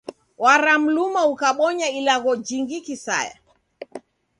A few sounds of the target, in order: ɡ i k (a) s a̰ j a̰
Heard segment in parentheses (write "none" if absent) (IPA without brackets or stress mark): i